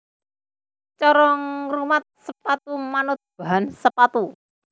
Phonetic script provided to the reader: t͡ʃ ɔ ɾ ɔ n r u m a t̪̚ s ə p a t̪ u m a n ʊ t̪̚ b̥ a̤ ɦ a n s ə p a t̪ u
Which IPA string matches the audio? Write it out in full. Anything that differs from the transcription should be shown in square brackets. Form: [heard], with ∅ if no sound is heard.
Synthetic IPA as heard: t͡ʃ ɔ ɾ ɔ [ŋ] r u m a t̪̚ s ə p a t̪ u m a n ʊ t̪̚ b̥ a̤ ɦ a n s ə p a t̪ u